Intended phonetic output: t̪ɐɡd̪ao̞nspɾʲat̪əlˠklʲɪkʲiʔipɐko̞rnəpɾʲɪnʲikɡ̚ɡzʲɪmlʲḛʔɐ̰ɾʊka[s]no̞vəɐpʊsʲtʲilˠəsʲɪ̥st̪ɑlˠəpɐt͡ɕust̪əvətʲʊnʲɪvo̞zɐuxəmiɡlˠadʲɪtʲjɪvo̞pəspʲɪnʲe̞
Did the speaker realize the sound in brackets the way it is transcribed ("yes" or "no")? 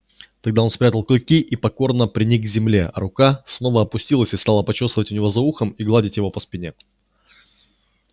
yes